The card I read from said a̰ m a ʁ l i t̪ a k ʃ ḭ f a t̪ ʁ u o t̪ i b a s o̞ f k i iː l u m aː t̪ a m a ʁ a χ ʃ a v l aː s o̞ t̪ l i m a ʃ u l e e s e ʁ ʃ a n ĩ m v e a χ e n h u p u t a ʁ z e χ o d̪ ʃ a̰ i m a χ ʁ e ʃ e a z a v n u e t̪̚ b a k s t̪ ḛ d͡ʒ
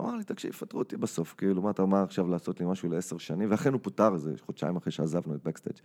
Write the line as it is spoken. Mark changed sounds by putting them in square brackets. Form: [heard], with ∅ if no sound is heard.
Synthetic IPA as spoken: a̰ m a ʁ l i t̪ a k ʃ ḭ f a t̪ ʁ u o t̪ i b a s o̞ f k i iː l u m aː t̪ a m a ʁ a χ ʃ a v l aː s o̞ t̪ l i m a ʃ u l e e s e ʁ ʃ a n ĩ m v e a χ e n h u p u t a ʁ z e χ o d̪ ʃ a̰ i m a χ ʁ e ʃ e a z a v n u e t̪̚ b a k s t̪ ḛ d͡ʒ